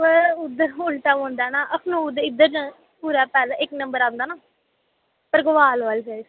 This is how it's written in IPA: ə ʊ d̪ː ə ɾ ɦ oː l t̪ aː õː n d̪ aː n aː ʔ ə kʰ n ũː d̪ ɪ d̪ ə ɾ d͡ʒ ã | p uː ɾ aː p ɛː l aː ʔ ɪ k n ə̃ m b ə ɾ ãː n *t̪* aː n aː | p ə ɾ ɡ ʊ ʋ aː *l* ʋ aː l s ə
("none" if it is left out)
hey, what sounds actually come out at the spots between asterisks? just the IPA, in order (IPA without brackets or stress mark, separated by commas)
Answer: d̪, l